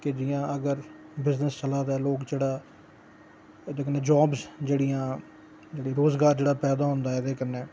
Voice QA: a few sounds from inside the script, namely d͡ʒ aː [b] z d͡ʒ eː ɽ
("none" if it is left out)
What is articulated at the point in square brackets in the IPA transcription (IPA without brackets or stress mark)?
b